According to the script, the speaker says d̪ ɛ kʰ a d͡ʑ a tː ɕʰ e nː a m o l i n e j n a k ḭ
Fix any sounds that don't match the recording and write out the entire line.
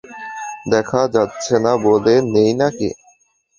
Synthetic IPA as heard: d̪ ɛ kʰ a d͡ʑ a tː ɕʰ e n a b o l e n e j n a k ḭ